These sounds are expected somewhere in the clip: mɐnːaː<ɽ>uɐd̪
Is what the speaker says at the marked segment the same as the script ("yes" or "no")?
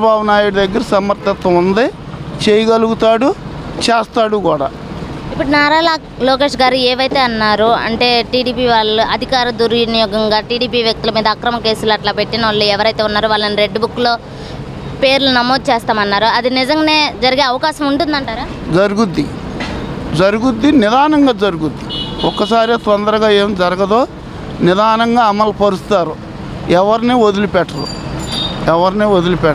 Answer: no